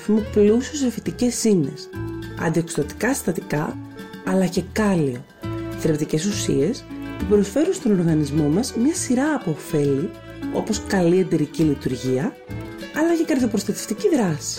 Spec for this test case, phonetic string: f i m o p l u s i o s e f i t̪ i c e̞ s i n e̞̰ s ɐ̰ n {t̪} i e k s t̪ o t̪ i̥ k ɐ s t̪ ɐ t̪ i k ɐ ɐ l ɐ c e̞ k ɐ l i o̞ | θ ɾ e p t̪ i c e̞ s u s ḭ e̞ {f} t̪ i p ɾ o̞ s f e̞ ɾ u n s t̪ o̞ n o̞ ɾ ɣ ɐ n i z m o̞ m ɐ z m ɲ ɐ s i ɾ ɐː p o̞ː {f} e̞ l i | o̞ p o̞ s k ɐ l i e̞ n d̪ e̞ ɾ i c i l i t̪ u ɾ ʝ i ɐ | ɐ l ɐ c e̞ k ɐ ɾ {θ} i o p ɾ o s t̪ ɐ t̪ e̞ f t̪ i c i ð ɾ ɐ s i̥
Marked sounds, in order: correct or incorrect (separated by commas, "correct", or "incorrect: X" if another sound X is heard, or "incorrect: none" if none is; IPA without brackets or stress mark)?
incorrect: d̪, incorrect: s, correct, incorrect: ð